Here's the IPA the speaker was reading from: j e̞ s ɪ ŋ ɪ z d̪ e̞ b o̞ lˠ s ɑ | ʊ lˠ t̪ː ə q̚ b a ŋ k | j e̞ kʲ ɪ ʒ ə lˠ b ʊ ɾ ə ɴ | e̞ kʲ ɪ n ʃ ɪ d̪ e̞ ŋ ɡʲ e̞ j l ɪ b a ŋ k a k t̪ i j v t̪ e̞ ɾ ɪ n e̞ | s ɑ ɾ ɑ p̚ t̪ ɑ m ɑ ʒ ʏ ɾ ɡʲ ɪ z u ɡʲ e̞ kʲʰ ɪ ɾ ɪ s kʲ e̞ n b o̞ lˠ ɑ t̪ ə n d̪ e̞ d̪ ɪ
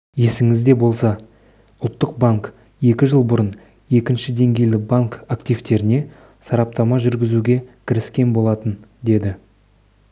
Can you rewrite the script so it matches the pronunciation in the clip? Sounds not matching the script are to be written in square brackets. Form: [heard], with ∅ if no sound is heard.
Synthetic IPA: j e̞ s ɪ ŋ ɪ z d̪ e̞ b o̞ lˠ s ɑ | ʊ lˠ t̪ː ə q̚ b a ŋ k | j e̞ kʲ ɪ ʒ ə lˠ b ʊ ɾ ə [n] | e̞ kʲ ɪ n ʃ ɪ d̪ e̞ ŋ ɡʲ e̞ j l ɪ b a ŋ k a k t̪ i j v t̪ e̞ ɾ ɪ n e̞ | s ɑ ɾ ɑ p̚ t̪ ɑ m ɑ ʒ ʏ ɾ ɡʲ ɪ z u ɡʲ e̞ kʲʰ ɪ ɾ ɪ s kʲ e̞ n b o̞ lˠ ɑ t̪ ə n d̪ e̞ d̪ ɪ